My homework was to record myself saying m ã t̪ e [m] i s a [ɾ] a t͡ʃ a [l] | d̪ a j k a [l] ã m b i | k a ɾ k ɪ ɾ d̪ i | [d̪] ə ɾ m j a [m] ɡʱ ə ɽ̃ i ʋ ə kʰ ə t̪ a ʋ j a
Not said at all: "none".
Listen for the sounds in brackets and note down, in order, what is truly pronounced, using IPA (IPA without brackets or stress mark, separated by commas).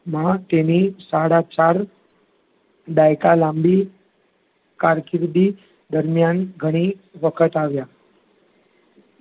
n, ɽ, ɾ, l, d̪, n